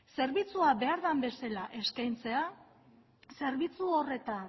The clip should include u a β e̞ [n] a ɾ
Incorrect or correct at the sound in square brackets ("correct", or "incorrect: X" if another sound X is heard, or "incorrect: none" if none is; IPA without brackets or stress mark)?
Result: incorrect: none